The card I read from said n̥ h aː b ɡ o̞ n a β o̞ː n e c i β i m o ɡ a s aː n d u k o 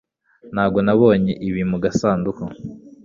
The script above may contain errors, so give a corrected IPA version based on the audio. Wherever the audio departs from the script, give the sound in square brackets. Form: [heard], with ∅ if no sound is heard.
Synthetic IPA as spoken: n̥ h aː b ɡ o̞ n a β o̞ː [ɲ] e [ʔ] i β i m [u] ɡ a s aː n d u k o